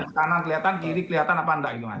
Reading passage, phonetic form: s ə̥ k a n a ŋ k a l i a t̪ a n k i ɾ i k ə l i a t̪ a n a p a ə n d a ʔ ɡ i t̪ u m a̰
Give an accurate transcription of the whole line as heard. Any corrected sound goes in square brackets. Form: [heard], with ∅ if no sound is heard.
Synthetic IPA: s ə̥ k a n a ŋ k [ə] l i a t̪ a n k i ɾ i k ə l i a t̪ a n a p a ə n d a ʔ ɡ i t̪ u m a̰